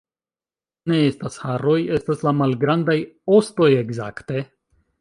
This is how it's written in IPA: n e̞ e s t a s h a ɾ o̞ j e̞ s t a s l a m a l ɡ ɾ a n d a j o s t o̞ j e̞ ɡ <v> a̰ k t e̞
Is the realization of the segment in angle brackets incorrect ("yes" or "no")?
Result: yes